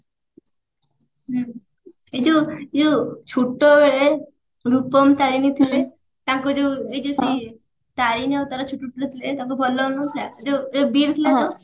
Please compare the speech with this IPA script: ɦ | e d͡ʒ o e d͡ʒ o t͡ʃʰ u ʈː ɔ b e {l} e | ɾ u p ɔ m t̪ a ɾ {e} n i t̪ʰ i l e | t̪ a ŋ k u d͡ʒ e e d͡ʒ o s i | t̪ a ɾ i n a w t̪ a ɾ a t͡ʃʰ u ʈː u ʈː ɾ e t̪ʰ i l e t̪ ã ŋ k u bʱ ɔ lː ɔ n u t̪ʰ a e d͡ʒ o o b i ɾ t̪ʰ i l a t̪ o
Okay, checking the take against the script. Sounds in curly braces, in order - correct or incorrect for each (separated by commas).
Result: incorrect, incorrect